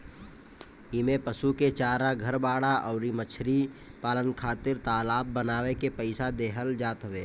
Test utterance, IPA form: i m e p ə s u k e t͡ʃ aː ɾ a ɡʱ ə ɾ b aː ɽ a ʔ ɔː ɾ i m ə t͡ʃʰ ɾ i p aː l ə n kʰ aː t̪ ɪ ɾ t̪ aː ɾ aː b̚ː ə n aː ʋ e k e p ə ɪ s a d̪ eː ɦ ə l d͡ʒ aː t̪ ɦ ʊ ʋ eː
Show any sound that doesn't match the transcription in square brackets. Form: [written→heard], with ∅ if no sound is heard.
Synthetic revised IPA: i m e p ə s u k e t͡ʃ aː ɾ a ɡʱ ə ɾ b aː ɽ a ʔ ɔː ɾ i m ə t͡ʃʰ ɾ i p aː l ə n kʰ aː t̪ ɪ ɾ t̪ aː [ɾ→l] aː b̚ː ə n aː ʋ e k e p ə ɪ s a d̪ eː ɦ ə l d͡ʒ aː t̪ ɦ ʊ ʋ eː